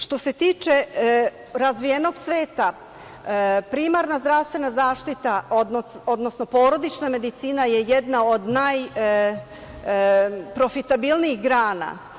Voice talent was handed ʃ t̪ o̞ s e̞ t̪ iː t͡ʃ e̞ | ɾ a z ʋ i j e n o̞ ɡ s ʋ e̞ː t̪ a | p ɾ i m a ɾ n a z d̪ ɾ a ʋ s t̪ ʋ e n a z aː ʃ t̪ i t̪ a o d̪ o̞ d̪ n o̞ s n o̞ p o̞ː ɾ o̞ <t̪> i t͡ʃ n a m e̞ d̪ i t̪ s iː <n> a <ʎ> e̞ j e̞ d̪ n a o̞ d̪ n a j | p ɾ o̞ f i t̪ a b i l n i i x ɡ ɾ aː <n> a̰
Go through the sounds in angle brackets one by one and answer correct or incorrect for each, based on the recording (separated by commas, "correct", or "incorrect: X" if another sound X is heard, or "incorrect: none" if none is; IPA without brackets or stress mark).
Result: incorrect: d̪, correct, incorrect: j, correct